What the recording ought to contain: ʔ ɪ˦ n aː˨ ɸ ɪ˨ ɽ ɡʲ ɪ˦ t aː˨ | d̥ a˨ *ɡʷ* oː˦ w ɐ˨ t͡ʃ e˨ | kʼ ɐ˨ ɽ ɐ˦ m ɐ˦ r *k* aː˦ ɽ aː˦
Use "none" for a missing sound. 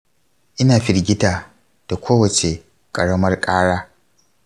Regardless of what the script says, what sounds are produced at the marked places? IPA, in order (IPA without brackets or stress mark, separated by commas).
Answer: kʷ, kʼ